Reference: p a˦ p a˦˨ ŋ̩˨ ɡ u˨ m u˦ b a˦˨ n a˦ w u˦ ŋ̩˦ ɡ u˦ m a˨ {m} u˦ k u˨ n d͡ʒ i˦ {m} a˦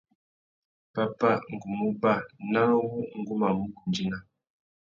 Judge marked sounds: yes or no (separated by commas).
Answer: yes, no